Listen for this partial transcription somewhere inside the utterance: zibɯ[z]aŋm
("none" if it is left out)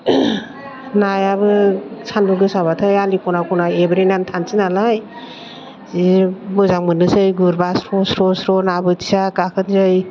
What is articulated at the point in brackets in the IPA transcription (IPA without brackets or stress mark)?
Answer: z